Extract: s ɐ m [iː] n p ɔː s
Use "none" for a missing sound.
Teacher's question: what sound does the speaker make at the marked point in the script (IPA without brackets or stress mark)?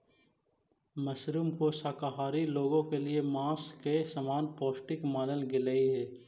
aː